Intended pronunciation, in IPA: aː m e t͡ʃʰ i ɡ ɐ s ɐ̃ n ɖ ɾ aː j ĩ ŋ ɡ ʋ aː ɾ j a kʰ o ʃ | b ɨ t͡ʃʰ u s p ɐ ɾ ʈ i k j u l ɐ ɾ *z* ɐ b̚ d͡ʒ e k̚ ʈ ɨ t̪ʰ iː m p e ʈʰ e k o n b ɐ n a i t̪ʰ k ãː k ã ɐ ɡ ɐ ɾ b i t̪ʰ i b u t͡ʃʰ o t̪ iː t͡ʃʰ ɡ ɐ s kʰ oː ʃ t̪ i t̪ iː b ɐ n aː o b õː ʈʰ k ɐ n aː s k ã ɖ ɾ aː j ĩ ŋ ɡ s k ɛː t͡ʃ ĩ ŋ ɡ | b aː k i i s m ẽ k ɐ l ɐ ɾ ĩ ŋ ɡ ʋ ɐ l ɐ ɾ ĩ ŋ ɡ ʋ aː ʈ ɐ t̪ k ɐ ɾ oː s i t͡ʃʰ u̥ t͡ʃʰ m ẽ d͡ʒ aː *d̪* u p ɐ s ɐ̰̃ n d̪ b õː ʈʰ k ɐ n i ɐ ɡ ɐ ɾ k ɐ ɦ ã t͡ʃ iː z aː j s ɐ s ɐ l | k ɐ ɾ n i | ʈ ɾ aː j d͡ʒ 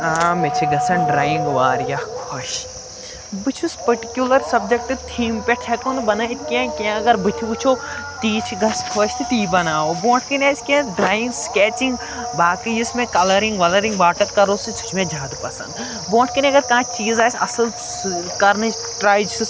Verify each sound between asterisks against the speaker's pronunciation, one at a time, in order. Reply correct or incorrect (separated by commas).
incorrect, correct